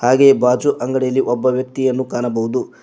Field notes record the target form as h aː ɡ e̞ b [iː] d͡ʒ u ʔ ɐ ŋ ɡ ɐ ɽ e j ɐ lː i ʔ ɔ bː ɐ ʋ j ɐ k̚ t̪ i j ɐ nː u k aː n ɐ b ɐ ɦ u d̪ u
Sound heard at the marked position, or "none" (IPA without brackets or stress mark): aː